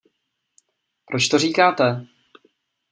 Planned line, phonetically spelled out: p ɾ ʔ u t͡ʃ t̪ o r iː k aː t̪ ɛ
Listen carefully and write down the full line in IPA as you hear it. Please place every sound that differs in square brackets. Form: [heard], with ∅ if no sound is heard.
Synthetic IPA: p ɾ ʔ [o] t͡ʃ t̪ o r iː k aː t̪ ɛ